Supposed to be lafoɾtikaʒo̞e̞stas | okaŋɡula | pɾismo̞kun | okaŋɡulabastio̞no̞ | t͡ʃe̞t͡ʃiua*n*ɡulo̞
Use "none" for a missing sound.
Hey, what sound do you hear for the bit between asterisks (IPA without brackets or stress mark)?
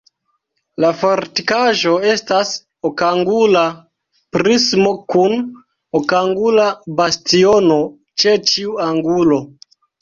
ŋ